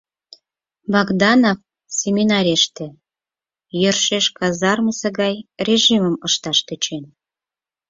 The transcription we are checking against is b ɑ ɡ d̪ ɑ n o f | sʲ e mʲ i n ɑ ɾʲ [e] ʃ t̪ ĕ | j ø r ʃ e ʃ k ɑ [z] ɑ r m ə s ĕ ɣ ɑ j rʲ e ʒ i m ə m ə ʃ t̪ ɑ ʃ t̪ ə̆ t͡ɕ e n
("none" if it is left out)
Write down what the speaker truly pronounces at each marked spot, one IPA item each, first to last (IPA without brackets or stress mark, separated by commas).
e, z